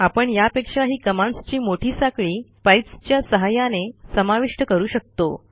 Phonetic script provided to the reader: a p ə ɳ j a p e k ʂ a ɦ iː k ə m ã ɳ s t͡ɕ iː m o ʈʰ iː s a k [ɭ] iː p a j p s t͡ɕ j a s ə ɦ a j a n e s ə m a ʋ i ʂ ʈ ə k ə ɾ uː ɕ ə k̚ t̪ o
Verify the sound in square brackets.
correct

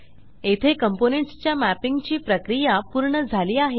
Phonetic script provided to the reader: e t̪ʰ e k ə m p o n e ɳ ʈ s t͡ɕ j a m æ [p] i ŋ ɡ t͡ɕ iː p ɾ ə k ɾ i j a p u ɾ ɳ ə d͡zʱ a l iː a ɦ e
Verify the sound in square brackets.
correct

